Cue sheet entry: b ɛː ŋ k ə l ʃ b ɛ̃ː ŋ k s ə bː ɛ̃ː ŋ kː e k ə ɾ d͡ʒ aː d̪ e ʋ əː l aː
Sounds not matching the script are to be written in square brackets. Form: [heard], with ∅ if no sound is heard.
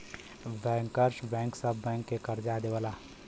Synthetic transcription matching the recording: b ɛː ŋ k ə [ɾ] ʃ b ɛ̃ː ŋ k s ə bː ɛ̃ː ŋ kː e k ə ɾ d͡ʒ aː d̪ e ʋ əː l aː

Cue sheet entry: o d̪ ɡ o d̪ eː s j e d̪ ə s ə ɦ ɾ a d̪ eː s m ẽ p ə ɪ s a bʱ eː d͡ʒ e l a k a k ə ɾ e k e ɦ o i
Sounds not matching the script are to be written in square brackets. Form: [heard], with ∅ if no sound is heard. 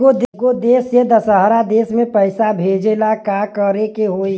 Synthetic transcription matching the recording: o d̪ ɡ o d̪ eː s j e d̪ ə s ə ɦ ɾ a d̪ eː s m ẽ p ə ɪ s a bʱ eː d͡ʒ e l a k a k ə ɾ e k e ɦ o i

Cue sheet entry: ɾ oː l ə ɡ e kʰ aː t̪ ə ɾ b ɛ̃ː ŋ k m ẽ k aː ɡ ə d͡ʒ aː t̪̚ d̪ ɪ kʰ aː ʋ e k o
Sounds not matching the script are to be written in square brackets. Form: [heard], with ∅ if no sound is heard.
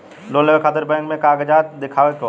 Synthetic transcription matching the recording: [l] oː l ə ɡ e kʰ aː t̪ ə ɾ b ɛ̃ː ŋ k m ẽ k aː ɡ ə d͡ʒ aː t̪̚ d̪ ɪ kʰ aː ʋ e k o

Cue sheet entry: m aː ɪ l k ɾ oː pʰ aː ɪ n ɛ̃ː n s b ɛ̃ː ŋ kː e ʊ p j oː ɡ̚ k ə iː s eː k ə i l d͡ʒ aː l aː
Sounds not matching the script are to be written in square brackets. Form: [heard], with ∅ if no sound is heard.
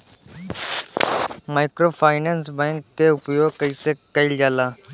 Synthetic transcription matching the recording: m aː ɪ [∅] k ɾ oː pʰ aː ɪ n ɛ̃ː n s b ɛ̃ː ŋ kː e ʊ p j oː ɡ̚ k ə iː s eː k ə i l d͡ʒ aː l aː

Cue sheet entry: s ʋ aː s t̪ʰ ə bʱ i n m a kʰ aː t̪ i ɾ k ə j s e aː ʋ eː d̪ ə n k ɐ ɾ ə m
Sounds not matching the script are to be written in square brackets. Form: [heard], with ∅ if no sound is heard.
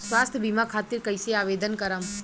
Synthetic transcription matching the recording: s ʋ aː s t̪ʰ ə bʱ i [∅] m a kʰ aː t̪ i ɾ k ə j s e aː ʋ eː d̪ ə n k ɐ ɾ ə m

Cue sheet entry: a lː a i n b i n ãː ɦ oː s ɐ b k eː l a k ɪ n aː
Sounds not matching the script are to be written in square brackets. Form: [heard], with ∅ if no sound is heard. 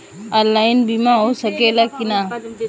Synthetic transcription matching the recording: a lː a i n b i [m] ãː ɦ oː s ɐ [∅] k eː l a k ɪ n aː

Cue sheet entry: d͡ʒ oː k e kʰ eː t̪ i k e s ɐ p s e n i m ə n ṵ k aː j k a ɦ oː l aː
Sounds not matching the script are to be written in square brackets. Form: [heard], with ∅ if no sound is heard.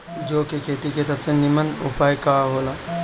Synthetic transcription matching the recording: d͡ʒ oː k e kʰ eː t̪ i k e s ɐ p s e n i m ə n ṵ [p] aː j k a ɦ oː l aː

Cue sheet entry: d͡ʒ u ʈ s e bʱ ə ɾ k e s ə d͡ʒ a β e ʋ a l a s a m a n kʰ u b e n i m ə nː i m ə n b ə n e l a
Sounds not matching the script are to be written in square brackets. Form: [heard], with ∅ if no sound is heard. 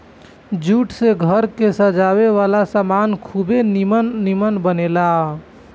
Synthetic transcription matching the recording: d͡ʒ u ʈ s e [ɡʱ] ə ɾ k e s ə d͡ʒ a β e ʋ a l a s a m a n kʰ u b e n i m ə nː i m ə n b ə n e l a

